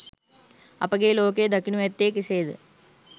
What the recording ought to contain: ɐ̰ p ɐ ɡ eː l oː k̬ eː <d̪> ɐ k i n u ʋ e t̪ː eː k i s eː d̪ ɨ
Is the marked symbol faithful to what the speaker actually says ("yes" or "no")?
yes